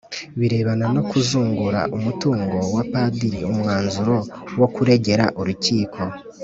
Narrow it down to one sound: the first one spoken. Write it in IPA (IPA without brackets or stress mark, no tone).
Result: β